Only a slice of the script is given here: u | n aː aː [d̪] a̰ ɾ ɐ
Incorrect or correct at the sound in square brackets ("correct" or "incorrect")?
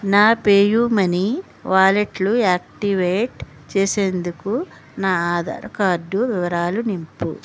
correct